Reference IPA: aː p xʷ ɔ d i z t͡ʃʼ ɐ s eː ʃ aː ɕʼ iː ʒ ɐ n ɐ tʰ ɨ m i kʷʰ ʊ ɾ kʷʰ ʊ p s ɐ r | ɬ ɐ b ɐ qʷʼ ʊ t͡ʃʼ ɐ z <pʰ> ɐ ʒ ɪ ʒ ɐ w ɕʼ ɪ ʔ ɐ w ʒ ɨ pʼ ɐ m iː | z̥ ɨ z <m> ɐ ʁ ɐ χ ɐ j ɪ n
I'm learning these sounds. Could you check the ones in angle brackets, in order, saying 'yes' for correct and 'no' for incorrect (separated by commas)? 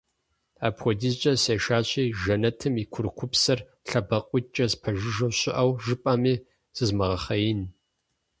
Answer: yes, yes